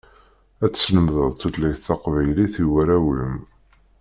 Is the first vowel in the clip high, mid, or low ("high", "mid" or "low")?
low